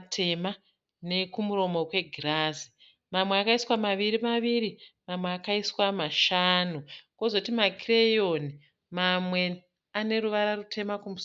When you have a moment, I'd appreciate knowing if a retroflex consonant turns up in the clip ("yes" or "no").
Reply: no